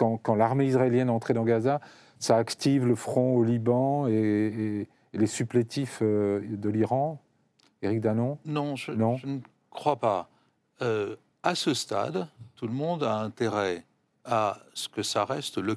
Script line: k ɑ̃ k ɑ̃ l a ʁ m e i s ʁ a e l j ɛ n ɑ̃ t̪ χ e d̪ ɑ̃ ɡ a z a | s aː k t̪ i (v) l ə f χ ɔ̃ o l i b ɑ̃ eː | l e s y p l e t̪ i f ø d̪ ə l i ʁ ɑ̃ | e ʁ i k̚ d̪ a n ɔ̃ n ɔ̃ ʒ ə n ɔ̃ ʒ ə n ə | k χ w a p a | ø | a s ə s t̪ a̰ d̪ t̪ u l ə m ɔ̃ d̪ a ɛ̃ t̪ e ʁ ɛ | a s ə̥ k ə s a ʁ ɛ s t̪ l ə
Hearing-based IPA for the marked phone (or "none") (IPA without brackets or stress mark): v